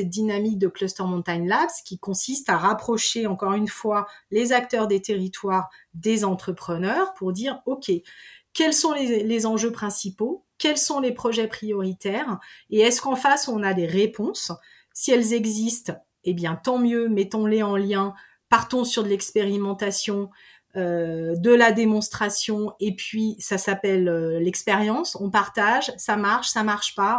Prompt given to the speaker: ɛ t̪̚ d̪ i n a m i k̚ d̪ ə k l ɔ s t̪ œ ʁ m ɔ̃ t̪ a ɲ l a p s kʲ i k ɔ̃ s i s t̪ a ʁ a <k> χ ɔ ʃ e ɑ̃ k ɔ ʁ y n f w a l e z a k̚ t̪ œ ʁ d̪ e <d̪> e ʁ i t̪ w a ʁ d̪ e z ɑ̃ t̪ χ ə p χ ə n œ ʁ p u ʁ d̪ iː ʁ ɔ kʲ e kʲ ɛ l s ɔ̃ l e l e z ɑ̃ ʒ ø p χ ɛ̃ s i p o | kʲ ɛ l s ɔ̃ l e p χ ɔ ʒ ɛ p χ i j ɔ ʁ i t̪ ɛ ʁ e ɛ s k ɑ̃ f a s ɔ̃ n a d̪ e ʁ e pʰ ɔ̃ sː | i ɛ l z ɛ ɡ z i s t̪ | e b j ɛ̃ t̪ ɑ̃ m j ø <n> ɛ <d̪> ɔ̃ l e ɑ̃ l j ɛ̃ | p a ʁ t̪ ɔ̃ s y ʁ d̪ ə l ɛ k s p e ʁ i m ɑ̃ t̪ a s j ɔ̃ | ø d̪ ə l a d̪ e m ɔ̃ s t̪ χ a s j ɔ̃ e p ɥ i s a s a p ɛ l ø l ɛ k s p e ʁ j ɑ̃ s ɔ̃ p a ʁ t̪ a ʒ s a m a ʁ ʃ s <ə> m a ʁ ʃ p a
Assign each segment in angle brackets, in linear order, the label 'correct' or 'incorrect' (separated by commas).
incorrect, incorrect, incorrect, incorrect, incorrect